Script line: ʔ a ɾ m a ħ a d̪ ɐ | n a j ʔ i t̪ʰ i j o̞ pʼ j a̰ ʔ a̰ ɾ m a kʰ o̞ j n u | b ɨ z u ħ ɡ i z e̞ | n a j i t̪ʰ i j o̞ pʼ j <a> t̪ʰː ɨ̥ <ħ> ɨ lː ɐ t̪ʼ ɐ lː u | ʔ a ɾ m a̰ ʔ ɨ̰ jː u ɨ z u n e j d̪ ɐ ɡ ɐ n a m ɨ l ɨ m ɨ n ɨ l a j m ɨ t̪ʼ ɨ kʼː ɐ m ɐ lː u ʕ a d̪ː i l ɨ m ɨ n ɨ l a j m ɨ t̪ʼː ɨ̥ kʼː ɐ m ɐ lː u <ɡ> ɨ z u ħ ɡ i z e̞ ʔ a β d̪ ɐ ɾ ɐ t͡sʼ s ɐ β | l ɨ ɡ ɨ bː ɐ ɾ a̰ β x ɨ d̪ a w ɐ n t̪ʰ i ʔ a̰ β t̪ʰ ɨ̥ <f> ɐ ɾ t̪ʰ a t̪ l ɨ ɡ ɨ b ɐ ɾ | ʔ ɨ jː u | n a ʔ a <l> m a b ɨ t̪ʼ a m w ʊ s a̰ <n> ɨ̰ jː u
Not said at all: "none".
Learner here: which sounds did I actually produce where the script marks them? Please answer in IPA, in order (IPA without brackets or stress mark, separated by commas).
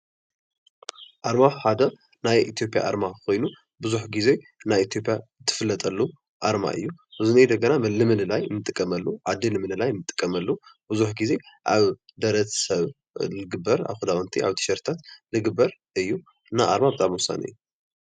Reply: a, f, b, ʃ, ɾ, n